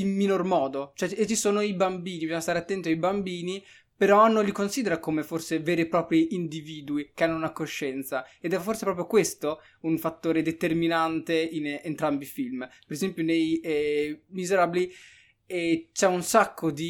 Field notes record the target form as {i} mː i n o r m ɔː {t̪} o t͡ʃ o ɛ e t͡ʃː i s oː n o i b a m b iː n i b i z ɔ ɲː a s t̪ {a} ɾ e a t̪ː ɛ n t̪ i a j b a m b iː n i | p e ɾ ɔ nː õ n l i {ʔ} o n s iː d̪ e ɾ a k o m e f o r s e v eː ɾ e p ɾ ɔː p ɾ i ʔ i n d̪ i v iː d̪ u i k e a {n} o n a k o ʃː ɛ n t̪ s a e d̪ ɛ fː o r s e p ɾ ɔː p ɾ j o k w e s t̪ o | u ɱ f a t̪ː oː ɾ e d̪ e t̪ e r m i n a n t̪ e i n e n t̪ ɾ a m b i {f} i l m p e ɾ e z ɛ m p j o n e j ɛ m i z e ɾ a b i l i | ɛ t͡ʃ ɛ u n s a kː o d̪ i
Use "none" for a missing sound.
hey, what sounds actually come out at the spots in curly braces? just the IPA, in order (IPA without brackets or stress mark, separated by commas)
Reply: i, d̪, a, k, nː, f